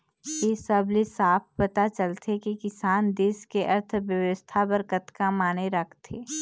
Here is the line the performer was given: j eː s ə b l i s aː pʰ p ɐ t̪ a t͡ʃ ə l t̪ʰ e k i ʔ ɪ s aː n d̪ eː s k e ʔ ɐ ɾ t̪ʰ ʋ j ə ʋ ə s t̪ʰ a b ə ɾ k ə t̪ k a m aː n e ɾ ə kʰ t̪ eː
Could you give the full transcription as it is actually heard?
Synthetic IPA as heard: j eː s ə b l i s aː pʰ p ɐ t̪ a t͡ʃ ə l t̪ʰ e k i k ɪ s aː n d̪ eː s k e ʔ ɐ ɾ t̪ʰ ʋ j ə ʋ ə s t̪ʰ a b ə ɾ k ə t̪ k a m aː n e ɾ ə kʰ t̪ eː

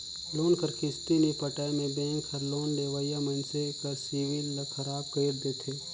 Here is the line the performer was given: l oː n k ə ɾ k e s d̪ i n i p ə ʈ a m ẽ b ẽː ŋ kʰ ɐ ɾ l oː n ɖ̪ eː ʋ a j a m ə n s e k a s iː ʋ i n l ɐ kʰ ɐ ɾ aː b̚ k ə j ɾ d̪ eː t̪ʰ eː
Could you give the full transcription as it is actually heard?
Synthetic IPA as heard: l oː n k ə ɾ k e s t̪ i n i p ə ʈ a m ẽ b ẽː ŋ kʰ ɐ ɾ l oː n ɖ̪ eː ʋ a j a m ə n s e k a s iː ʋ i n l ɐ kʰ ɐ ɾ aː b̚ k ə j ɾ d̪ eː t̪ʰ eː

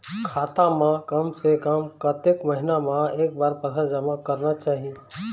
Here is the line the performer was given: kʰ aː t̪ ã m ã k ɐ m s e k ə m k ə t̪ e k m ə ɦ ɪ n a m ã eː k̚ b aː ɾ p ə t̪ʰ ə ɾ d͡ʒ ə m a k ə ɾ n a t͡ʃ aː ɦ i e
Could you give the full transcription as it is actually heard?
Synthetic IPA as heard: kʰ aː t̪ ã m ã k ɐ m s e k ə m k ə t̪ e k m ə ɦ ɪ n a m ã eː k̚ b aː ɾ p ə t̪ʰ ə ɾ d͡ʒ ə m a k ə ɾ n a t͡ʃ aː ɦ i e

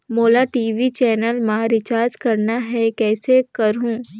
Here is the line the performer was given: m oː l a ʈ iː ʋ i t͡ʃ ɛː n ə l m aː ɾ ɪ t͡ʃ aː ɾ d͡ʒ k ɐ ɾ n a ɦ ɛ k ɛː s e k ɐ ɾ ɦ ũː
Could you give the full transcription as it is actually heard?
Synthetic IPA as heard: m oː l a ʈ iː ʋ i t͡ʃ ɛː n ə l m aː ɾ ɪ t͡ʃ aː ɾ d͡ʒ k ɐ ɾ n a ɦ ɛ k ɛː s e k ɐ ɾ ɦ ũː

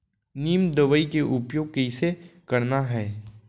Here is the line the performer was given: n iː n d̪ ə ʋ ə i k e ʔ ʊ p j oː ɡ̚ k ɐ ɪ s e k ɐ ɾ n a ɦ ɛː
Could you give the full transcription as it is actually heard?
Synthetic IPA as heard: n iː m d̪ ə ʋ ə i k e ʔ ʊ p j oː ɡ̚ k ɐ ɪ s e k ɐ ɾ n a ɦ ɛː

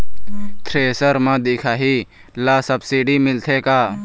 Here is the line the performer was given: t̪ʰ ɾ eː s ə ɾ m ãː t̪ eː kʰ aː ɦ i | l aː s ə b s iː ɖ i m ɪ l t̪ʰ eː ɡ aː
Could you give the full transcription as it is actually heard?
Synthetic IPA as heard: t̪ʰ ɾ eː s ə ɾ m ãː d̪ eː kʰ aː ɦ i | l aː s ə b s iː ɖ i m ɪ l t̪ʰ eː k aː

